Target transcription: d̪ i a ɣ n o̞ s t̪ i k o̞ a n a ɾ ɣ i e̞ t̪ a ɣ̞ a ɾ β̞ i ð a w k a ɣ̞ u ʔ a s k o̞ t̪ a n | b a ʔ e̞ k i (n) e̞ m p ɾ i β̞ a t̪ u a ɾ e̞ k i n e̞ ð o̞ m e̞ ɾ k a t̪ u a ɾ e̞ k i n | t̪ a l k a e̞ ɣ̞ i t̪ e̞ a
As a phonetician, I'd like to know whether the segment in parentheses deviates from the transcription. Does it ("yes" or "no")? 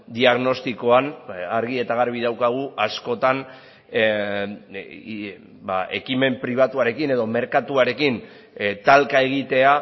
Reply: yes